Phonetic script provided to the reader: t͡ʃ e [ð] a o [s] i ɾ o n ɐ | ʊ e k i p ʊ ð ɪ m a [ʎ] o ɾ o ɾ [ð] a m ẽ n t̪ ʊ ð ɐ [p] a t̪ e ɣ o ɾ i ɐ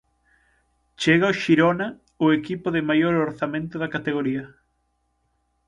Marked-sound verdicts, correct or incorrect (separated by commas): incorrect, incorrect, incorrect, incorrect, incorrect